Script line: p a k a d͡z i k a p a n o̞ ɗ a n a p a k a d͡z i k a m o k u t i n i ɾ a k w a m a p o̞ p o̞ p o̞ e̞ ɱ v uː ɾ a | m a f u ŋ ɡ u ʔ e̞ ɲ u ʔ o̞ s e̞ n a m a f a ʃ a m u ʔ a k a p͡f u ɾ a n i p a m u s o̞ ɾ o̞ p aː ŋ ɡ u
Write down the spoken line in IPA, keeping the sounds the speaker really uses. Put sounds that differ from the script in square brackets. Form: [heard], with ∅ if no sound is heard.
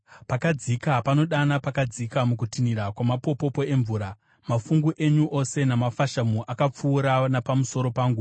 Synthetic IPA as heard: p a k a d͡z i k a p a n o̞ ɗ a n a p a k a d͡z i k a m [u] k u t i n i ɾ a k w a m a p o̞ p o̞ p o̞ e̞ ɱ v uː ɾ a | m a f u ŋ ɡ u ʔ e̞ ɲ u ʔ o̞ s e̞ n a m a f a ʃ a m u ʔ a k a p͡f [uː] ɾ a n [a] p a m u s o̞ ɾ o̞ p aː ŋ ɡ u

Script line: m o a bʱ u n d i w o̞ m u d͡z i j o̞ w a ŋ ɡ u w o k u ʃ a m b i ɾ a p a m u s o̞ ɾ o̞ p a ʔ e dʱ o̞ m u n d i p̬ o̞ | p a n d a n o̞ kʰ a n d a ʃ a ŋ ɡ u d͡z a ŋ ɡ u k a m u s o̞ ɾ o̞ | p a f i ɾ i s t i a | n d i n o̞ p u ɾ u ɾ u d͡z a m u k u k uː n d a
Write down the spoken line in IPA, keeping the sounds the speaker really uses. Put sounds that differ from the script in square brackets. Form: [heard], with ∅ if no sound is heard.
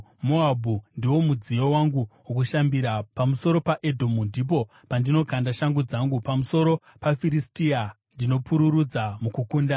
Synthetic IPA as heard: m o a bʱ u n d i w o̞ m u d͡z i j o̞ w a ŋ ɡ u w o k u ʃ a m b i ɾ a p a m u s o̞ ɾ o̞ p a ʔ e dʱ o̞ m u n d i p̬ o̞ | p a n d [i] n o̞ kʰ a n d a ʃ a ŋ ɡ u d͡z a ŋ ɡ u [p] a m u s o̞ ɾ o̞ | p a f i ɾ i s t i a | n d i n o̞ p u ɾ u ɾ u d͡z a m u k u k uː n d a

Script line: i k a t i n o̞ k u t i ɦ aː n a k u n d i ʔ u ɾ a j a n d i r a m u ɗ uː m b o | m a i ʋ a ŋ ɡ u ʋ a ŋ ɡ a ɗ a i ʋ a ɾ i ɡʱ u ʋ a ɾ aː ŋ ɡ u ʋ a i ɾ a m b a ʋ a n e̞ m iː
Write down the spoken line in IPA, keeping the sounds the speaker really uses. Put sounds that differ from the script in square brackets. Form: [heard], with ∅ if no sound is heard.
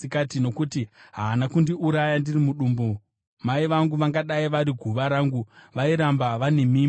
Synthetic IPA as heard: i k a t i n o̞ k u t i ɦ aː n a k u n d i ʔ u ɾ a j a n d i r [i] m u ɗ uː m b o | m a i ʋ a ŋ ɡ u ʋ a ŋ ɡ a ɗ a i ʋ a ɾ i ɡʱ u ʋ a ɾ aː ŋ ɡ u ʋ a i ɾ a m b a ʋ a n e̞ m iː

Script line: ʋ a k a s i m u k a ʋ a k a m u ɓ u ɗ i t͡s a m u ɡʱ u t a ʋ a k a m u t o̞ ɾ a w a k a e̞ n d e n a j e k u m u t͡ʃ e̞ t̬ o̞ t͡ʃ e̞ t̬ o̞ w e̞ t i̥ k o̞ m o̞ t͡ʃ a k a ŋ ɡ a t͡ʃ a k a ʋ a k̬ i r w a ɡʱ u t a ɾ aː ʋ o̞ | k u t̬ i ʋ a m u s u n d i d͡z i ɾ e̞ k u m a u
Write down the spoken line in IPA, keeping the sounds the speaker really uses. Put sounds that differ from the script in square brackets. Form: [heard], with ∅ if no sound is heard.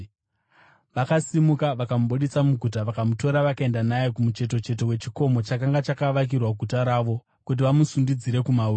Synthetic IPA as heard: ʋ a k a s i m u k a ʋ a k a m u ɓ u ɗ i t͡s a m u ɡʱ u t a ʋ a k a m u t o̞ ɾ a [ʋ] a k a e̞ n d [a] n a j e k u m u t͡ʃ e̞ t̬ o̞ t͡ʃ e̞ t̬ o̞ w e̞ [t͡ʃ] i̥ k o̞ m o̞ t͡ʃ a k a ŋ ɡ a t͡ʃ a k a ʋ a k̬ i r w a ɡʱ u t a ɾ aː ʋ o̞ | k u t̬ i ʋ a m u s u n d i d͡z i ɾ e̞ k u m a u

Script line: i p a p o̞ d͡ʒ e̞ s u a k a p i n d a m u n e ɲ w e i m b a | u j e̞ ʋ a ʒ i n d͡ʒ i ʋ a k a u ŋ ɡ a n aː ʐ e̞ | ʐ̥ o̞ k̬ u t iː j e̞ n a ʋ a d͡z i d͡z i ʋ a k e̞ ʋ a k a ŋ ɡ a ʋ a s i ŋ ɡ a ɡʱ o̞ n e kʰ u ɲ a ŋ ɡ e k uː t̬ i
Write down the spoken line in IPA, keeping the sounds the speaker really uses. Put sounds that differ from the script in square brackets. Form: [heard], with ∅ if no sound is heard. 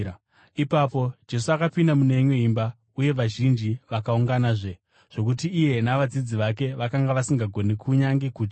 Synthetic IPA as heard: i p a p o̞ d͡ʒ e̞ s u a k a p i n d a m u n e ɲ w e i m b a | u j e̞ ʋ a ʒ i n d͡ʒ i ʋ a k a u ŋ ɡ a n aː ʐ e̞ | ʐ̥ o̞ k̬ u t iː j e̞ n a ʋ a d͡z i d͡z i ʋ a k e̞ ʋ a k a ŋ ɡ a ʋ a s i ŋ ɡ a ɡʱ o̞ n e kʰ u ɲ a ŋ ɡ e k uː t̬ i

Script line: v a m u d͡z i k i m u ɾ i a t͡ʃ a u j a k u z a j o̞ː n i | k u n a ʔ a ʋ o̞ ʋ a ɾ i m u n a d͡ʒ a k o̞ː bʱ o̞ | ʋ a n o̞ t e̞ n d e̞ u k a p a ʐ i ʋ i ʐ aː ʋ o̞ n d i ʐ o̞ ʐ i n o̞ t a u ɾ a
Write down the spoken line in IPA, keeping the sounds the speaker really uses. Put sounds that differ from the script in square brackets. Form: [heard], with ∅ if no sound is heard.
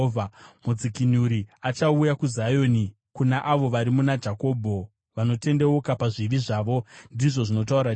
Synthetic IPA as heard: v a m u d͡z i k i [n] u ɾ i a t͡ʃ a u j a k u z a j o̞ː n i | k u n a ʔ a ʋ o̞ ʋ a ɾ i m u n a d͡ʒ a k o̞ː bʱ o̞ | ʋ a n o̞ t e̞ n d e̞ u k a p a ʐ i ʋ i ʐ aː ʋ o̞ n d i ʐ o̞ ʐ i n o̞ t a u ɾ a

